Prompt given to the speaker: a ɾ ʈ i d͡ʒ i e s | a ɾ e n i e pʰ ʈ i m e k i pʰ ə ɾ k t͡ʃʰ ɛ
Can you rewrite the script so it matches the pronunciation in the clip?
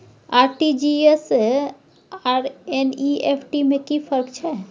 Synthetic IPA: a ɾ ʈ i d͡ʒ i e s | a ɾ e n i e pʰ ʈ i m e k i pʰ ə ɾ k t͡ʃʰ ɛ